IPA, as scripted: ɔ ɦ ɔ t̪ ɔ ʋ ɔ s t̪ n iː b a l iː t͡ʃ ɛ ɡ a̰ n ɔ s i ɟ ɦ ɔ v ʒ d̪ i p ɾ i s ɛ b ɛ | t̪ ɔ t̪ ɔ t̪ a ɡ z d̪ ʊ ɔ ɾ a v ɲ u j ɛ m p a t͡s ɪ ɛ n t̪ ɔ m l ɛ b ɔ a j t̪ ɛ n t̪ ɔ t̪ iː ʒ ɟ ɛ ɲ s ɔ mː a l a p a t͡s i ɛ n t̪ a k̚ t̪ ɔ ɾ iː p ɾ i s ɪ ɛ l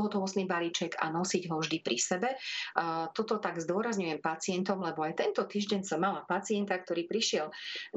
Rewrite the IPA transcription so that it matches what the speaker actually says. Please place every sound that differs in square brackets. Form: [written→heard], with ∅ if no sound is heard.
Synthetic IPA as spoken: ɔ ɦ ɔ t̪ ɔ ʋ ɔ s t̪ n iː b a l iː t͡ʃ ɛ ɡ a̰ n ɔ s i ɟ ɦ ɔ v ʒ d̪ i p ɾ i s ɛ b ɛ | t̪ ɔ t̪ ɔ t̪ a ɡ z d̪ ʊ ɔ ɾ a [v→z] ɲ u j ɛ m p a t͡s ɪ ɛ n t̪ ɔ m l ɛ b ɔ a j t̪ ɛ n t̪ ɔ t̪ iː ʒ ɟ ɛ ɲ s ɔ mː a l a p a t͡s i ɛ n t̪ a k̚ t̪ ɔ ɾ iː p ɾ i [s→ʃ] ɪ ɛ l